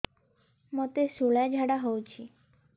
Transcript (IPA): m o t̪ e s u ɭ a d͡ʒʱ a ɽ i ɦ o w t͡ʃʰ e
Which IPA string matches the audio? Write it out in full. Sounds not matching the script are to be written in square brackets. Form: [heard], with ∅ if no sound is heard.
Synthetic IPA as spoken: m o t̪ e s u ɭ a d͡ʒʱ a ɽ [a] ɦ o w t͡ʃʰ [i]